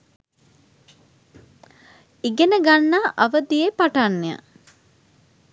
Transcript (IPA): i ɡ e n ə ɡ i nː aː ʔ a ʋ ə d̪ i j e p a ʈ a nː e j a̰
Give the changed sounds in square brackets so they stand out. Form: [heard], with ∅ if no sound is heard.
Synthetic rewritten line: i ɡ e n ə ɡ [a] nː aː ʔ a ʋ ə d̪ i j e p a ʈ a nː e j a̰

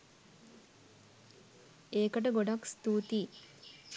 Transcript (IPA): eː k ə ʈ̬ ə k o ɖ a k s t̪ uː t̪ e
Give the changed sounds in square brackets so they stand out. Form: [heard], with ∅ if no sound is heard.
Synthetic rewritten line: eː k ə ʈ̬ ə [ɡ] o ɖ a k s t̪ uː t̪ [i]

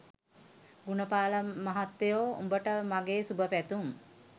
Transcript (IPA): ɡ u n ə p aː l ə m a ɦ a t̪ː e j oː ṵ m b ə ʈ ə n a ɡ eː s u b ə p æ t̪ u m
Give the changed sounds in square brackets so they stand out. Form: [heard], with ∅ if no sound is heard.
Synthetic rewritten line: ɡ u n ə p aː l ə m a ɦ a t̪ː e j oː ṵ m b ə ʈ ə [m] a ɡ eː s u b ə p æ t̪ u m

